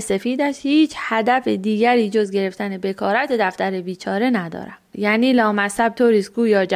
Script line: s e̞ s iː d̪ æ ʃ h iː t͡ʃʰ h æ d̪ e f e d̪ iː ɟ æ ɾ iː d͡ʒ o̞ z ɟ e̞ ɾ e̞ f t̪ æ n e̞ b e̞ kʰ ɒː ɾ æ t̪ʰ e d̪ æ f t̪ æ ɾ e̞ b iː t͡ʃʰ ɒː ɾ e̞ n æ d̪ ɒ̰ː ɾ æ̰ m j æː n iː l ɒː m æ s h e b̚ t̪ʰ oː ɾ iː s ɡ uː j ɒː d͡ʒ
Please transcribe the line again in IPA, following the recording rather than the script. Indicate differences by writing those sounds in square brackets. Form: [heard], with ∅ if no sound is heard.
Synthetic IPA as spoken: s e̞ [f] iː d̪ æ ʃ h iː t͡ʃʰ h æ d̪ [æ] f e d̪ iː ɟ æ ɾ iː d͡ʒ o̞ z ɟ e̞ ɾ e̞ f t̪ æ n e̞ b e̞ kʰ ɒː ɾ æ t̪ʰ e d̪ æ f t̪ æ ɾ e̞ b iː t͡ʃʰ ɒː ɾ e̞ n æ d̪ ɒ̰ː ɾ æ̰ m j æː n iː l ɒː m æ s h [æ] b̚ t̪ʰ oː ɾ iː s ɡ uː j ɒː d͡ʒ